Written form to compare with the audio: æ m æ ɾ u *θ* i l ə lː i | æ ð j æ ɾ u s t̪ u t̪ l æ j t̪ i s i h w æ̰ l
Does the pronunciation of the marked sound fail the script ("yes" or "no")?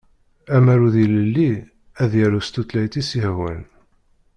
yes